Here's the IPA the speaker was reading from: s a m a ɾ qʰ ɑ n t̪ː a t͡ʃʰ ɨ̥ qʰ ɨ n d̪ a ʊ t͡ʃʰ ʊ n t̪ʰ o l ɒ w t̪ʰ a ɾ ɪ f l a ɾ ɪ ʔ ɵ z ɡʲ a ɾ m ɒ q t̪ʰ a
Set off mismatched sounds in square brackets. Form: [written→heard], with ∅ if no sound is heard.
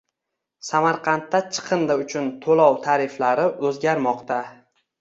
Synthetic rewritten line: s a m a ɾ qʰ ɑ n t̪ː a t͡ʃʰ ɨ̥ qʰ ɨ n d̪ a ʊ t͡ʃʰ ʊ n t̪ʰ o l ɒ w t̪ʰ a ɾ ɪ f l a ɾ ɪ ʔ ɵ z ɡʲ a ɾ m ɒ q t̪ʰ a